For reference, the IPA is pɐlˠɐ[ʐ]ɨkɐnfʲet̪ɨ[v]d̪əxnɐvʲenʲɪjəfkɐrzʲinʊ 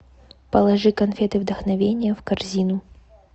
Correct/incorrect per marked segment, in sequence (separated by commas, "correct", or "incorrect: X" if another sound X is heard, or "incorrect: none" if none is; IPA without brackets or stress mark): correct, correct